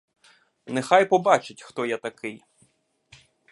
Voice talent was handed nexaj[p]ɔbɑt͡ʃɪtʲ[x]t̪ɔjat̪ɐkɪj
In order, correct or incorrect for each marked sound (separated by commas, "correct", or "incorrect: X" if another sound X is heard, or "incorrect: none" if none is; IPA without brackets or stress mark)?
correct, correct